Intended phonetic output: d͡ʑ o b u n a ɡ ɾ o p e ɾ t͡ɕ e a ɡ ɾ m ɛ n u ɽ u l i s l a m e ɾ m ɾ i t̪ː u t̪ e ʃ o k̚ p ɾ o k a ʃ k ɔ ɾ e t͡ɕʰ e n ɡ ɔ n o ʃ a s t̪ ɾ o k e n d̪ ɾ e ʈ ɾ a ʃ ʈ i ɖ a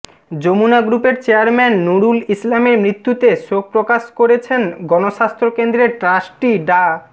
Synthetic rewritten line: d͡ʑ o m u n a ɡ ɾ u p e ɾ t͡ɕ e a ɾ m ɛ nː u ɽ u l i s l a m e ɾ m ɾ i t̪ː u t̪ e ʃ o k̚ p ɾ o k a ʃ k o ɾ e t͡ɕʰ e n ɡ ɔ n o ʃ a s t̪ ɾ o k e n d̪ ɾ e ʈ ɾ a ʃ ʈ i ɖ a